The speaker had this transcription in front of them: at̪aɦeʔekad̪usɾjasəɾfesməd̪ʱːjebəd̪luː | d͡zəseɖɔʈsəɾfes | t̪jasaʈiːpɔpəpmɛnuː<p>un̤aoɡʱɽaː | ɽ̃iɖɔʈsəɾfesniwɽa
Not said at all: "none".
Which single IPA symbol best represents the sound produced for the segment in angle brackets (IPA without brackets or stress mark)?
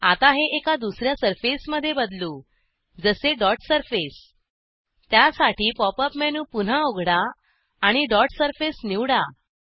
p